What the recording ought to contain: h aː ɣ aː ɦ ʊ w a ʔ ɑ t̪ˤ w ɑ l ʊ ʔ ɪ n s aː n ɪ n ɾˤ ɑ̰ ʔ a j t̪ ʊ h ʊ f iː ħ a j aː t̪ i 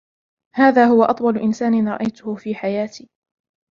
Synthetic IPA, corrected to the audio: h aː ð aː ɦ ʊ w a ʔ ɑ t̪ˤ w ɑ l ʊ ʔ ɪ n s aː n ɪ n ɾˤ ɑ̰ ʔ a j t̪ ʊ h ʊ f iː ħ a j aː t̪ iː